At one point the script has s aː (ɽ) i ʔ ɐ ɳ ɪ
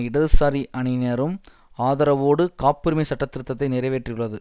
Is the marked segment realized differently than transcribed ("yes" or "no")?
yes